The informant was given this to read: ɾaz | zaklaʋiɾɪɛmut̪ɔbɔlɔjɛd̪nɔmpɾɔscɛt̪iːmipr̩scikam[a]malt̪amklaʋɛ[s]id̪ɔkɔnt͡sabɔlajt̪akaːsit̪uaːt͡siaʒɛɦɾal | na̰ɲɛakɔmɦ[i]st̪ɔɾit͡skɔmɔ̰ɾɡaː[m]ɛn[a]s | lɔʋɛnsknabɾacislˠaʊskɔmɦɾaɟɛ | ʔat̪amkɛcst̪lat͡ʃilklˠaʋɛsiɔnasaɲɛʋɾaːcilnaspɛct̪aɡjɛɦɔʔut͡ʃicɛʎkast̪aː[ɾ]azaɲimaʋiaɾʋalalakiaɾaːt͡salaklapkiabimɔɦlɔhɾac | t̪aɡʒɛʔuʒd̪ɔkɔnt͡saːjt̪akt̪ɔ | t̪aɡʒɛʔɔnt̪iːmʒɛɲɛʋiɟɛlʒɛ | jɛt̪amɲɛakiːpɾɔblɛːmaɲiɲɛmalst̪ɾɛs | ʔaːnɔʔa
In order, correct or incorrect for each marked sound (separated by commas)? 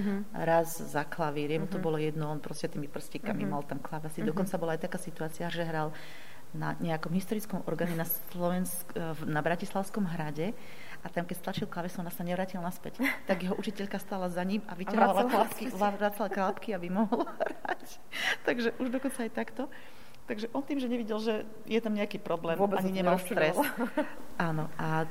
incorrect, correct, correct, incorrect, correct, incorrect